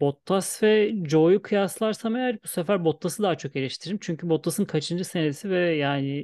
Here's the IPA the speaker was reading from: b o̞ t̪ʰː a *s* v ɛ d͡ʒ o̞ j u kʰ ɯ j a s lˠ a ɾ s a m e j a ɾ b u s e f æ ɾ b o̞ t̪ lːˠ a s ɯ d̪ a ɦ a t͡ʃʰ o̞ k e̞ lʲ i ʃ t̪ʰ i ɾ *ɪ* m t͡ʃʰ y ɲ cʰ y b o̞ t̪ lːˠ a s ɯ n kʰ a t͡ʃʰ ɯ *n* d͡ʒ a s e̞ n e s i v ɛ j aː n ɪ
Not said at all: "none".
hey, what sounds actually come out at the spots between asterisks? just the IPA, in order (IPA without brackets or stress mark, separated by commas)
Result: s, i, n